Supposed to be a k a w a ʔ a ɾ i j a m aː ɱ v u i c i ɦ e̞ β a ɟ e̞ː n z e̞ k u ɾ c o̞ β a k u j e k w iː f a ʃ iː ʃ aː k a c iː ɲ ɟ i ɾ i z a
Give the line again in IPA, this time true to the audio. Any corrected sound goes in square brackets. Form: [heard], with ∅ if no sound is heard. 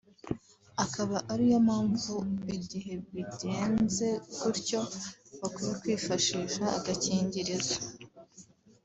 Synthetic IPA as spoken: a k a [β] a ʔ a ɾ i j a m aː ɱ v u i [ɟ] i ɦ e̞ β [i] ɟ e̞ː n z e̞ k u ɾ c o̞ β a k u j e k w iː f a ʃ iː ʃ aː [ɡ] a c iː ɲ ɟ i ɾ i z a